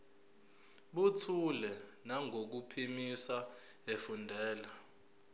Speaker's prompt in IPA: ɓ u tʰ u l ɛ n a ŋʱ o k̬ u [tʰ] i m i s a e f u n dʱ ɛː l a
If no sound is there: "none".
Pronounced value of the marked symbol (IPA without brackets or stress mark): pʰ